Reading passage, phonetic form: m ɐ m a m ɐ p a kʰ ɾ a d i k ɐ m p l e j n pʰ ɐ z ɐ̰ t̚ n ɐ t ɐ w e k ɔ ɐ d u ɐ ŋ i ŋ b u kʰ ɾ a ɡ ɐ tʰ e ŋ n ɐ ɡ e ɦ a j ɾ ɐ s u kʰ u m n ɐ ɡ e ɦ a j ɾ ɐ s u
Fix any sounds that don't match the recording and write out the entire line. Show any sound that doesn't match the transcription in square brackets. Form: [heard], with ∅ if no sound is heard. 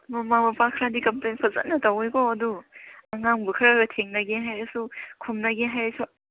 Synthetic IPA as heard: m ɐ m a m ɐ p a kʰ ɾ a d i k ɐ m p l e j n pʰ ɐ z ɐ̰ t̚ n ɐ t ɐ w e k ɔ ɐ d u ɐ ŋ [a] ŋ b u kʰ ɾ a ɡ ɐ tʰ e ŋ n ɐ ɡ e ɦ a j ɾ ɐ s u kʰ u m n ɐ ɡ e ɦ a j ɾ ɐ s u